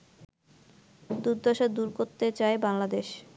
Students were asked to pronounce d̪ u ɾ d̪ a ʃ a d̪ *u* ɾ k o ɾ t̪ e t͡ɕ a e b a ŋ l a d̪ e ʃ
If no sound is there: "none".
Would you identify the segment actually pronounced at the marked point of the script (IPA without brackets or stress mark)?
u